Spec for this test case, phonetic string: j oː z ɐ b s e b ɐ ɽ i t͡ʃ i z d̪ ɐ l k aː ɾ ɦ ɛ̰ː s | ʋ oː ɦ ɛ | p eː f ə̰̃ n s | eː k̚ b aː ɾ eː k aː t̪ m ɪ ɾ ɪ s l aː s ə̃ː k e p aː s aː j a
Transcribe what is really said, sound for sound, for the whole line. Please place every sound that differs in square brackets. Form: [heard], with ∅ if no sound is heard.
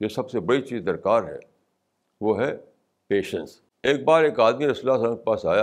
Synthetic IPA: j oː [s] ɐ b s e b ɐ ɽ i t͡ʃ [iː] z d̪ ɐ [ɾ] k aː ɾ ɦ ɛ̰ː [∅] | ʋ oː ɦ ɛ | p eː [ʃ] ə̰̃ n s | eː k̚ b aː ɾ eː k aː [d̪] m [i] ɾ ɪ s l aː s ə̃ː k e p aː s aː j a